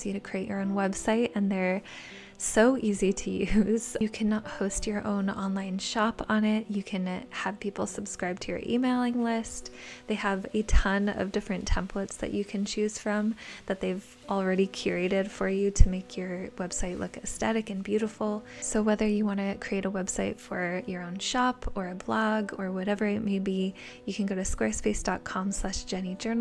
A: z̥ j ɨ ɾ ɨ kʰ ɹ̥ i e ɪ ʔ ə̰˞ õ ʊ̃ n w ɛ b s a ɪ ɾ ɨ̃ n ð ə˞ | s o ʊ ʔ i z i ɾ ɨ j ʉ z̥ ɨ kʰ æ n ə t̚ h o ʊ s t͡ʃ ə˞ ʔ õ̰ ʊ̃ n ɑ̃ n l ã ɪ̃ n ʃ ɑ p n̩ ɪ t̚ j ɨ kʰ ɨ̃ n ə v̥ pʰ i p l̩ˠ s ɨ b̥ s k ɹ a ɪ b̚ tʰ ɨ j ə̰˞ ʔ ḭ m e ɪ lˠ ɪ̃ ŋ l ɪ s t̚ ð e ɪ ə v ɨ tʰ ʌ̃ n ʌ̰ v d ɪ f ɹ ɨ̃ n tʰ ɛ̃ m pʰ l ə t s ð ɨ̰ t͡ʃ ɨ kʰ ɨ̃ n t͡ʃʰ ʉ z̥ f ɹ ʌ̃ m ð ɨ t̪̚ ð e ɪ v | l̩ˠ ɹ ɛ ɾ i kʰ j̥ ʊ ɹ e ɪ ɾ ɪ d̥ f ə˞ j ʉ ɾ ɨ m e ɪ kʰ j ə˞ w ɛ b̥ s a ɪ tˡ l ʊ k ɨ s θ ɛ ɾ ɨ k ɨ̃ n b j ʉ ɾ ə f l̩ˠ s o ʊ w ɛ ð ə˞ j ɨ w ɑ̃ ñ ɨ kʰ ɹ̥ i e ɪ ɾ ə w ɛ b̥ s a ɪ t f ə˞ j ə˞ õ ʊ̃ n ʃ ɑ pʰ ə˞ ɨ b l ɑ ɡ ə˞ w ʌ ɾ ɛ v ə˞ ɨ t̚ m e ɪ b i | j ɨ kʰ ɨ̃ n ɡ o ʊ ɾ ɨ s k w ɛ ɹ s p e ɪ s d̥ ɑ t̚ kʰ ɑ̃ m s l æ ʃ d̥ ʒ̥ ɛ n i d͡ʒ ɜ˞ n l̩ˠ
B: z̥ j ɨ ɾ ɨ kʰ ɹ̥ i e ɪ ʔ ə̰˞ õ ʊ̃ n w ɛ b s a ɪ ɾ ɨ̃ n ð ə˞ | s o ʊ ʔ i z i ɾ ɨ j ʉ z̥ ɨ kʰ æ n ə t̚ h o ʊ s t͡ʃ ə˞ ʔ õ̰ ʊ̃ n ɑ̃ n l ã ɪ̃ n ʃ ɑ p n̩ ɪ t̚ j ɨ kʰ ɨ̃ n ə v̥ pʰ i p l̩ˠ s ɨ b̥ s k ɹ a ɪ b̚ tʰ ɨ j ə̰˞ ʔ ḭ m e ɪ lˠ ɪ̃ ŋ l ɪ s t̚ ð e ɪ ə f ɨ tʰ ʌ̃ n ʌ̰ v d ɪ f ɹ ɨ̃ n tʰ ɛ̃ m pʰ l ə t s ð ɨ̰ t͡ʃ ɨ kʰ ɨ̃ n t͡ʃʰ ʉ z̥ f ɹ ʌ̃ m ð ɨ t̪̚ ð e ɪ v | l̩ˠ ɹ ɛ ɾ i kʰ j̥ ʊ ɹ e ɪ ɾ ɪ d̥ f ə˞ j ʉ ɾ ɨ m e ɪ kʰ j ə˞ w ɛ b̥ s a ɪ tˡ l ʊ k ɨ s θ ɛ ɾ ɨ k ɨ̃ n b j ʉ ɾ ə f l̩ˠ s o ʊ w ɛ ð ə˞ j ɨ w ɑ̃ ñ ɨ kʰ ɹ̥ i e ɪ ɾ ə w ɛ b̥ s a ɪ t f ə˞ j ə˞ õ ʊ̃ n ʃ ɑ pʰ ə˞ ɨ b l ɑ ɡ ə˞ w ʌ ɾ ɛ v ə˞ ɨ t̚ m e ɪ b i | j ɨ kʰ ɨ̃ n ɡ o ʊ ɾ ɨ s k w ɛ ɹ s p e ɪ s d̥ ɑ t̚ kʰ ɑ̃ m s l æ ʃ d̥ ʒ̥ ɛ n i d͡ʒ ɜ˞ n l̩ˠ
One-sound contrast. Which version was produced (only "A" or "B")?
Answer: A